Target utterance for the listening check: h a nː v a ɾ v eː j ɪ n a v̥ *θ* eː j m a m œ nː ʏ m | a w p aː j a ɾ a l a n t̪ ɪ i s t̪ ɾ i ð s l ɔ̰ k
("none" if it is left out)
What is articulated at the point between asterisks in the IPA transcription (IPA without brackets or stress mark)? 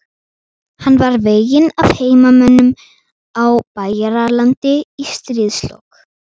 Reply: h